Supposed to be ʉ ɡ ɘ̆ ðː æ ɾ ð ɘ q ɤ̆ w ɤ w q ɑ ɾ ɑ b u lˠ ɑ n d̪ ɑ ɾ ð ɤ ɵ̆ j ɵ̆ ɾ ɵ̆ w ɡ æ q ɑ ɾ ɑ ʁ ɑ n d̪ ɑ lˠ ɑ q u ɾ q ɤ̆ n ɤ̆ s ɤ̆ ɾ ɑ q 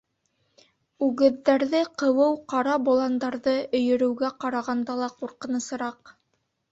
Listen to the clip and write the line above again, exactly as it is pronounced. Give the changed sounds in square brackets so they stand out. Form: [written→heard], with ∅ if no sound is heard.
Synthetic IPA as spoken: ʉ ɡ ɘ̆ ðː æ ɾ ð ɘ q ɤ̆ w ɤ w q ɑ ɾ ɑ b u lˠ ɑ n d̪ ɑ ɾ ð ɤ ɵ̆ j ɵ̆ ɾ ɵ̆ w ɡ æ q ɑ ɾ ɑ ʁ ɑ n d̪ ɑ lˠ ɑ q u ɾ q ɤ̆ n ɤ̆ s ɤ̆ ɾ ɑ q